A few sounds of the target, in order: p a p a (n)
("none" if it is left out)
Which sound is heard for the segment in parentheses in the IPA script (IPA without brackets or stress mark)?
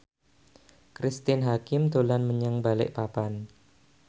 n